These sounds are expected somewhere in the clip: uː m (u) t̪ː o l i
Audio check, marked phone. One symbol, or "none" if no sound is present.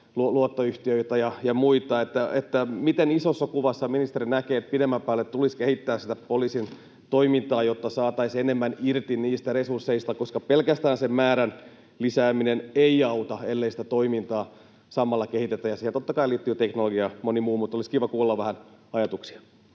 u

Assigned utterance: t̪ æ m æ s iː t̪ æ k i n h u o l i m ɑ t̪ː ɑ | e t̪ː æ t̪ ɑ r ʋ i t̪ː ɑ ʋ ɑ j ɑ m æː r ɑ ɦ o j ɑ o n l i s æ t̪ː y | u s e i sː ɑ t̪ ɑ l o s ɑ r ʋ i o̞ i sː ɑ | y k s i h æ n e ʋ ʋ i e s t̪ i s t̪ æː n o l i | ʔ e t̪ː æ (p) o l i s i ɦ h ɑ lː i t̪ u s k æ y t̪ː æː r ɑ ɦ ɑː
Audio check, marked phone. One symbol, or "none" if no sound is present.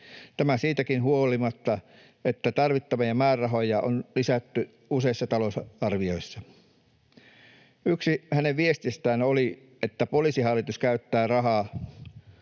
p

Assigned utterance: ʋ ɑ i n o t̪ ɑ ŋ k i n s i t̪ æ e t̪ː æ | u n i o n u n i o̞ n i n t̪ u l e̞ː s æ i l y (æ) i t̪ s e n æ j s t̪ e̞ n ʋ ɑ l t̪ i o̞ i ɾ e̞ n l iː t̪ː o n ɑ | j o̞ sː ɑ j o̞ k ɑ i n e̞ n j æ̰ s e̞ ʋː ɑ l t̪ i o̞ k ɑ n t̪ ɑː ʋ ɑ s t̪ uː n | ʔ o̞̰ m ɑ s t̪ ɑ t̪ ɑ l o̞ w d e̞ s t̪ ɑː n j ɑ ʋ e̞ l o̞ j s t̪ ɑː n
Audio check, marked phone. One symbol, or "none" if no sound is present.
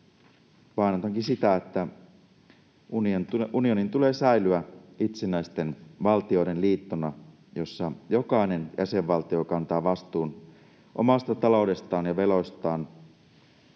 æ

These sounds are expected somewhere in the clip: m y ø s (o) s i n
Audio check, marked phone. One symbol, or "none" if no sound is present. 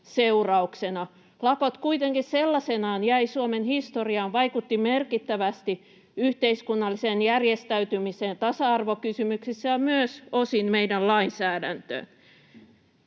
o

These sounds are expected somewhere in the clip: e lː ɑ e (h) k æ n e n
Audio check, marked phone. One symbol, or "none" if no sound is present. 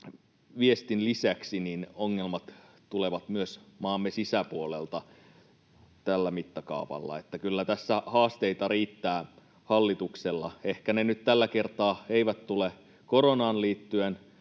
h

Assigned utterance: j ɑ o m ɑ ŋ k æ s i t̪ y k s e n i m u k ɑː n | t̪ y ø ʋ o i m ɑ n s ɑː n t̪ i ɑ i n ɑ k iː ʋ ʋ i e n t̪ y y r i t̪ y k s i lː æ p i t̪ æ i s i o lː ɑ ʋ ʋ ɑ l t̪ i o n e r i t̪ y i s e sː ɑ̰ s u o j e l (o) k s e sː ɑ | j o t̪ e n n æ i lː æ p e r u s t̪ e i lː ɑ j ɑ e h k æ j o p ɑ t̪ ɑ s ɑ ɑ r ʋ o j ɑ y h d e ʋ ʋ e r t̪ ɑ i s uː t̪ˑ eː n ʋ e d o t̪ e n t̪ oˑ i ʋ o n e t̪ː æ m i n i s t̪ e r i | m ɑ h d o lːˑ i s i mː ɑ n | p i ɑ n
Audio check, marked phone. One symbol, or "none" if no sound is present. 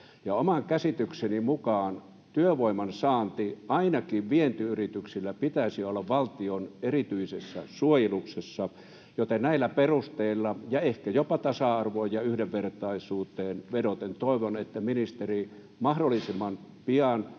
u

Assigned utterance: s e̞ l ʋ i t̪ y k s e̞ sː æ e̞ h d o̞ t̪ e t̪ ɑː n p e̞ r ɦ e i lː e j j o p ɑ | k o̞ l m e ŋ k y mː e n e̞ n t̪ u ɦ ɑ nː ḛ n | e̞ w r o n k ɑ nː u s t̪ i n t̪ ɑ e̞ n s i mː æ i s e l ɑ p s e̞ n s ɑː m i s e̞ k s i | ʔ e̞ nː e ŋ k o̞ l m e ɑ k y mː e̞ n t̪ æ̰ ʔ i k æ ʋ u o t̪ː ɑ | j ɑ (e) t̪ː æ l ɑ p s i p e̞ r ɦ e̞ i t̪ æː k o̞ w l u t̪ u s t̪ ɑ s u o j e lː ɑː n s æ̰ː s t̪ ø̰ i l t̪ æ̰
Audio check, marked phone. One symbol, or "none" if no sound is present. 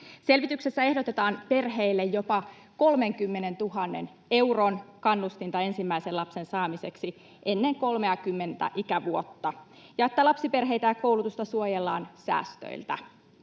e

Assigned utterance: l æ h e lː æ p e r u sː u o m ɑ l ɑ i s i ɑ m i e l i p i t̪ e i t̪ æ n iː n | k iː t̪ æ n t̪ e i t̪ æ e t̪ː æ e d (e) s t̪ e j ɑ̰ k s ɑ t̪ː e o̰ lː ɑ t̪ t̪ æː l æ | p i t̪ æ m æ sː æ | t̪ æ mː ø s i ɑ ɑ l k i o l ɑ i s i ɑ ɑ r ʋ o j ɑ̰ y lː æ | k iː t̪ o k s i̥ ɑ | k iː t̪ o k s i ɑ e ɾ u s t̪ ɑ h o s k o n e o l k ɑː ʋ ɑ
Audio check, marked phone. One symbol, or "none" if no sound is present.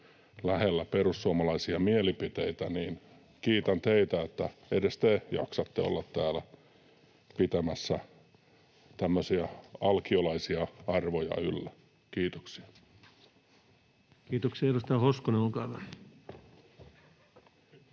e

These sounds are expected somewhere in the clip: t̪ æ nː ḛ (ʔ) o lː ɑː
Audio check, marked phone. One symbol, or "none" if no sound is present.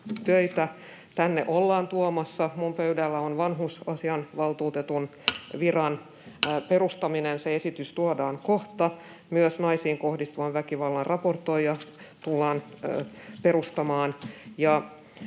ʔ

